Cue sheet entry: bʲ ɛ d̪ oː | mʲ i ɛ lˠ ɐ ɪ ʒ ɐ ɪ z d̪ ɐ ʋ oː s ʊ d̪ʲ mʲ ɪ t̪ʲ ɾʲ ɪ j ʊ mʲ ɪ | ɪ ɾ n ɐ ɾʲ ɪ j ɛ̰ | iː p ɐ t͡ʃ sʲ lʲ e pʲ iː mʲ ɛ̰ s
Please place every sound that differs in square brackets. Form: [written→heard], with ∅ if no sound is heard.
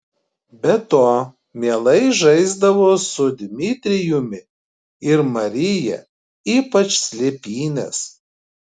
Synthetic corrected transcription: bʲ ɛ [d̪→t̪] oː | mʲ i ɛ lˠ ɐ ɪ ʒ ɐ ɪ z d̪ ɐ ʋ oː s ʊ d̪ʲ mʲ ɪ t̪ʲ ɾʲ ɪ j ʊ mʲ ɪ | ɪ ɾ [n→m] ɐ ɾʲ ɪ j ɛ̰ | iː p ɐ t͡ʃ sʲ lʲ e pʲ iː [mʲ→nʲ] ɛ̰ s